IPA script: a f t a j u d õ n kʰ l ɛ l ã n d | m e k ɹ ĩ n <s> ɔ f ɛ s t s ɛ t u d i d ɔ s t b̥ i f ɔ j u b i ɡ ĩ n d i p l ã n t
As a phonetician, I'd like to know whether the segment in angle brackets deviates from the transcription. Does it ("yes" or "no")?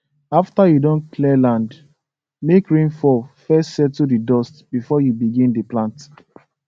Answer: yes